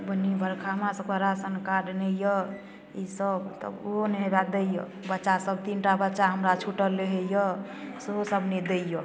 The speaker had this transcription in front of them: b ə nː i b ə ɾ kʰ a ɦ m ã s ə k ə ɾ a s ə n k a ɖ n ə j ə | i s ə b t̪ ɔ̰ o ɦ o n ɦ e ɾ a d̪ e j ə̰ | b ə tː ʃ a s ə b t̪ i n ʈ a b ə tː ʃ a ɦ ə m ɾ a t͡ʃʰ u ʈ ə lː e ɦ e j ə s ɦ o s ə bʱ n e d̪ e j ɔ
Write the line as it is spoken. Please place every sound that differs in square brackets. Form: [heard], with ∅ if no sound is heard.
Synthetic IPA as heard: b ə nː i b ə ɾ kʰ a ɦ m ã s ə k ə ɾ a s ə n k a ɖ n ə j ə | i s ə b t̪ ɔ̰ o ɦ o n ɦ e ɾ a d̪ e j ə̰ | b ə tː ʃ a s ə b t̪ i n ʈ a b ə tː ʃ a ɦ ə m ɾ a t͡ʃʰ u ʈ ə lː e ɦ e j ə s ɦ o s ə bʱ n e d̪ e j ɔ